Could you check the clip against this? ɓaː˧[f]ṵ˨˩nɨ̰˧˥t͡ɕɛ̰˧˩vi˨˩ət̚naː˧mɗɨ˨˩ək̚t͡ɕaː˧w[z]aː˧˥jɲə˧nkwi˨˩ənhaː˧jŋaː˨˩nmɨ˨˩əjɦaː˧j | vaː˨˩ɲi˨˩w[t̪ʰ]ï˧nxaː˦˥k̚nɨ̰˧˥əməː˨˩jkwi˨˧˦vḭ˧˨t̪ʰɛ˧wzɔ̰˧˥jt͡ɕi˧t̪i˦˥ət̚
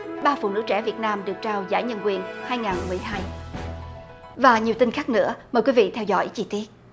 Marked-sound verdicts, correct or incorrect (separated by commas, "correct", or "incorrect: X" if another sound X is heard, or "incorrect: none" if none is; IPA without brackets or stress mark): correct, correct, incorrect: t̪